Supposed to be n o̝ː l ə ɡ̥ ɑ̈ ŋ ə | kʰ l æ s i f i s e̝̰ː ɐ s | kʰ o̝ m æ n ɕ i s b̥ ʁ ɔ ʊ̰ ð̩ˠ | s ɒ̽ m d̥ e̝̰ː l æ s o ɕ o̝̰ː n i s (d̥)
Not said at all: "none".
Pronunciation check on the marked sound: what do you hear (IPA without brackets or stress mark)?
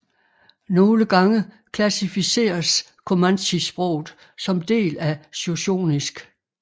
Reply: ɡ̥